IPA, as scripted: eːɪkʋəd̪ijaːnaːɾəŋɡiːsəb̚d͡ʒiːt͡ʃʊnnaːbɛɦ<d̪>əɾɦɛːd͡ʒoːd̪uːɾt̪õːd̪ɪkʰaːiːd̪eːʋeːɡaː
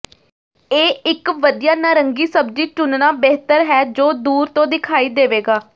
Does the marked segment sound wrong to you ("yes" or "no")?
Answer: yes